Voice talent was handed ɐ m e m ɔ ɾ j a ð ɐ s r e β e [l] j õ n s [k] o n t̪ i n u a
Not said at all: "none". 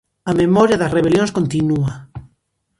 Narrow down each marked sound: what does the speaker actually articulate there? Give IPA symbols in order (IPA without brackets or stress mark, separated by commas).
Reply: l, k